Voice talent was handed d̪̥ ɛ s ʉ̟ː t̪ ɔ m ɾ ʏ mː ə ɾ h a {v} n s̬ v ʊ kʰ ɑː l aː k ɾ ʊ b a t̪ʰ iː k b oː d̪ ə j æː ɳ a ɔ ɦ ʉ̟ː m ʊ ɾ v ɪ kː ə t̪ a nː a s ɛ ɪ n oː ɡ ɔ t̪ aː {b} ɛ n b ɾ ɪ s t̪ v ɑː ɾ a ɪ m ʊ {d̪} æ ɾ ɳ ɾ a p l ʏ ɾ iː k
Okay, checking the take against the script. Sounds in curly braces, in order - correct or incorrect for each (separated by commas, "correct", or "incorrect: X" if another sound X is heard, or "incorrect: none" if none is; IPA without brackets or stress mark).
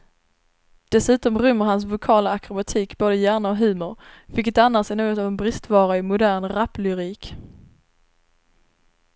incorrect: none, incorrect: v, correct